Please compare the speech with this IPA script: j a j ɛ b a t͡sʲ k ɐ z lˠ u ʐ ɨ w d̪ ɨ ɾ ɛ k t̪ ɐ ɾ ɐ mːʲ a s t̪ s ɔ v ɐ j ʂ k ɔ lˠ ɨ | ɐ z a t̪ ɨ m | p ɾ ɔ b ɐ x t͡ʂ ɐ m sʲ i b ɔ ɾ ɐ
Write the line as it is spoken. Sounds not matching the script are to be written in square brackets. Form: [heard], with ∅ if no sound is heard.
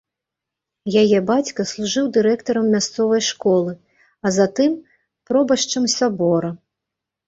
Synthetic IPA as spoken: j a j ɛ b a t͡sʲ k ɐ [s] lˠ u ʐ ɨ w d̪ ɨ ɾ ɛ k t̪ ɐ ɾ ɐ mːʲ a s t̪ s ɔ v ɐ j ʂ k ɔ lˠ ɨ | ɐ z a t̪ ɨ m | p ɾ ɔ b ɐ [ʂ] t͡ʂ ɐ m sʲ [a] b ɔ ɾ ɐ